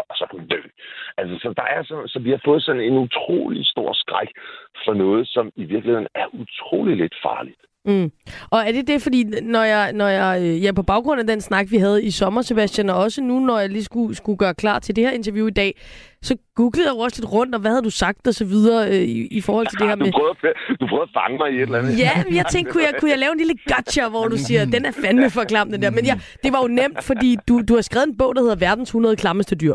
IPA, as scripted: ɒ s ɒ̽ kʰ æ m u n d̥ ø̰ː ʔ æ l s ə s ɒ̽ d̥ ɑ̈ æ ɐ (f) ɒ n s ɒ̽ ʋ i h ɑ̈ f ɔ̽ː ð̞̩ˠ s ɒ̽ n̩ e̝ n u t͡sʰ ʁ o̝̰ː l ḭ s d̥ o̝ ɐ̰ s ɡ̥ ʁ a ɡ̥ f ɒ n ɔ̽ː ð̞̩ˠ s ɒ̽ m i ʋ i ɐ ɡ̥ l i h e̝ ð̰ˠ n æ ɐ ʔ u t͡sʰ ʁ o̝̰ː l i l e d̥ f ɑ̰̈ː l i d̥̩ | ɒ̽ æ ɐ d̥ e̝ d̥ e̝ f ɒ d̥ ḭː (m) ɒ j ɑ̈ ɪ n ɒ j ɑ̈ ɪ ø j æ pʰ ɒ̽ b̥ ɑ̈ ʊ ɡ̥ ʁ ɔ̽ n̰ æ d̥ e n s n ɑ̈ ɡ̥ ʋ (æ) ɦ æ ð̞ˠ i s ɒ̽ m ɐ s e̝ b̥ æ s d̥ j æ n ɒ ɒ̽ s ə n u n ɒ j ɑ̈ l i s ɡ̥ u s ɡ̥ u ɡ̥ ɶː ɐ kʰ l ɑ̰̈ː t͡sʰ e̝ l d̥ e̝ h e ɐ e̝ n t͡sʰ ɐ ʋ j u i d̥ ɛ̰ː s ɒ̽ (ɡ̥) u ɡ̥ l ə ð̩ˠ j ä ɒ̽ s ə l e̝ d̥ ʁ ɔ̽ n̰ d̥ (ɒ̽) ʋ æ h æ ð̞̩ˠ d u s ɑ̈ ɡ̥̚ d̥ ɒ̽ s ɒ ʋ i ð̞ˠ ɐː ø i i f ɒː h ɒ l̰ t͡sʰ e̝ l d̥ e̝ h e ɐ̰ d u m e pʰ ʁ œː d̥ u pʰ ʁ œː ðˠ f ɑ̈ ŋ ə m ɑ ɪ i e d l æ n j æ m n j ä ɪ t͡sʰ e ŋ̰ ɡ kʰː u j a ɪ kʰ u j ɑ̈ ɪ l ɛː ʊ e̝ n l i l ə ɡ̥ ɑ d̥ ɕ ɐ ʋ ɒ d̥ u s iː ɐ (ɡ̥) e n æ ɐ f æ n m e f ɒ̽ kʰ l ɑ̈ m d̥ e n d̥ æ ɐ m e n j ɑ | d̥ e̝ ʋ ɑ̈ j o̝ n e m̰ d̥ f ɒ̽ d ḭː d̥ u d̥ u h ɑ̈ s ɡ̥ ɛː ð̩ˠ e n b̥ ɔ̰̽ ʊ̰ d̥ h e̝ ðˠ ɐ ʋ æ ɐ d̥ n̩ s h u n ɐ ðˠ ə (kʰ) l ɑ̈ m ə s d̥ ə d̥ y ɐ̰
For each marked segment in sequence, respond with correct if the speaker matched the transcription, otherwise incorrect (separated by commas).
incorrect, incorrect, incorrect, correct, correct, incorrect, correct